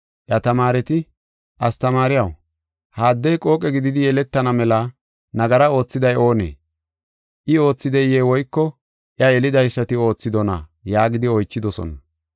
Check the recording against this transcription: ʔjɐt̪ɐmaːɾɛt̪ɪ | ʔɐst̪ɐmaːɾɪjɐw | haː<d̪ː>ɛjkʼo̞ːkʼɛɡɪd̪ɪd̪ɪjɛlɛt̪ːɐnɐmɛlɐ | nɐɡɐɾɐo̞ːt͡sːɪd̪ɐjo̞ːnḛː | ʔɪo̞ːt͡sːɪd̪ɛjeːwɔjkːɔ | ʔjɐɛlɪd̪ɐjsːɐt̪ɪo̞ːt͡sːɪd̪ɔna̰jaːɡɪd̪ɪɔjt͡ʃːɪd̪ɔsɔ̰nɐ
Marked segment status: correct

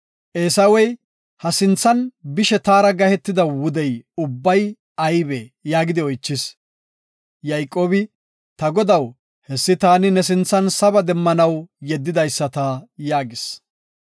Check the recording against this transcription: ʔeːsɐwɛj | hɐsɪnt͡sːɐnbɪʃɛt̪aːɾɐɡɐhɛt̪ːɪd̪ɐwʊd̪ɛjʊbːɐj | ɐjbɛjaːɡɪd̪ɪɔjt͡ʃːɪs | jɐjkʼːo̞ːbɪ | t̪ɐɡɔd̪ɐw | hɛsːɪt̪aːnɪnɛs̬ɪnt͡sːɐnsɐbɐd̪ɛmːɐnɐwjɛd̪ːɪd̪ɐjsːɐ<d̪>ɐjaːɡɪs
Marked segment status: incorrect: t̪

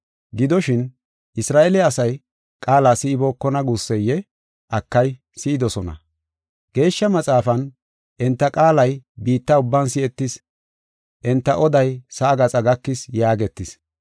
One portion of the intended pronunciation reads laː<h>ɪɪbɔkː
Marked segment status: incorrect: s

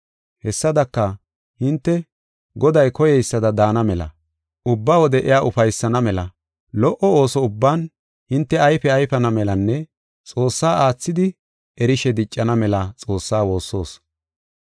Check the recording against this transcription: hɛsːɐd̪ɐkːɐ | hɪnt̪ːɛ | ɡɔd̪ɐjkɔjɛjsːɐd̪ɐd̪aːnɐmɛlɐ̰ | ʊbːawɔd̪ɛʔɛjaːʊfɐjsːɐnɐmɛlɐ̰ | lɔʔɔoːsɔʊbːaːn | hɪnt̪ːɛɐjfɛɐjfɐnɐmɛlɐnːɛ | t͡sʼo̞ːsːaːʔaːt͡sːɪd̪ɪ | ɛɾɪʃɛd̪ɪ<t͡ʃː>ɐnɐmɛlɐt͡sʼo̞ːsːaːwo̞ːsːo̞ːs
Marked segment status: incorrect: t͡ʃʼː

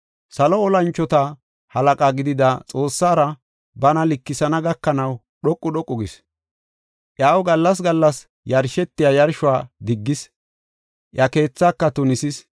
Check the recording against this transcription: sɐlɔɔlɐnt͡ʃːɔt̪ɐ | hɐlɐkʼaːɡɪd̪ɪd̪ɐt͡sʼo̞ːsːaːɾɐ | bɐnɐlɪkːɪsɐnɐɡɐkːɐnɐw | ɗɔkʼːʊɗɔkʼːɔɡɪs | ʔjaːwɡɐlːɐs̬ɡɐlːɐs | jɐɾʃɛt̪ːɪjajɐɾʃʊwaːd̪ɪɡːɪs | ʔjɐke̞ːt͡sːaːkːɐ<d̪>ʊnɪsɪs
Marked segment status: incorrect: t̪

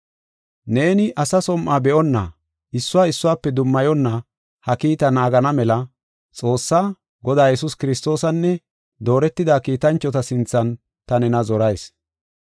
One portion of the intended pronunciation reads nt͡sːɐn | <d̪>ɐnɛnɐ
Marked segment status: incorrect: t̪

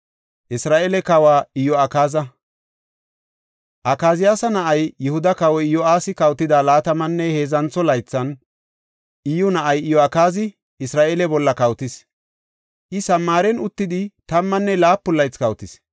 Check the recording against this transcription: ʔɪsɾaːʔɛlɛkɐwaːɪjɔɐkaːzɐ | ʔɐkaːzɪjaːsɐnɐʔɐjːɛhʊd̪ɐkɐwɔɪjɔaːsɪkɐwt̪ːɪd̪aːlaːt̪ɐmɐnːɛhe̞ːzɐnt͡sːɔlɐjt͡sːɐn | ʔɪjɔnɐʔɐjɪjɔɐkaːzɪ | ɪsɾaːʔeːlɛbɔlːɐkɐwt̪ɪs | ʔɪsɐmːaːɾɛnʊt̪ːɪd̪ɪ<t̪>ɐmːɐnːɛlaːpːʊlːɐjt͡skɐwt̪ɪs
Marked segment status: correct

